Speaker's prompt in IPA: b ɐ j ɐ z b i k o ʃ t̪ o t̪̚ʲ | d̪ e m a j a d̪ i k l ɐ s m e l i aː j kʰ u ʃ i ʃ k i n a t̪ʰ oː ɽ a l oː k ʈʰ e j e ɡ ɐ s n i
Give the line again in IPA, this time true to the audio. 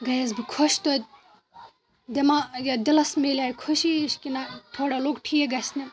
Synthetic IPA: ɡ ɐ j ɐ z b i kʰ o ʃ t̪ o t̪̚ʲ | d̪ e m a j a d̪ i l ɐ s m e l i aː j kʰ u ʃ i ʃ k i n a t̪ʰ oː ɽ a l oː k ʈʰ i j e ɡ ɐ s n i